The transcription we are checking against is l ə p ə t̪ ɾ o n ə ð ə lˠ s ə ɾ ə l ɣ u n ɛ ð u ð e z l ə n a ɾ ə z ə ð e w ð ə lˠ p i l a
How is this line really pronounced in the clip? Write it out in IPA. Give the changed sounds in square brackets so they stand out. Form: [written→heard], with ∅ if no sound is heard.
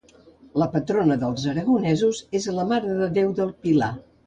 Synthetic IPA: l ə p ə t̪ ɾ o n ə ð ə lˠ [s→z] ə ɾ ə [l→∅] ɣ u n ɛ [ð→z] u [ð→z] e z l ə [n→m] a ɾ ə [z→ð] ə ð e w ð ə lˠ p i l a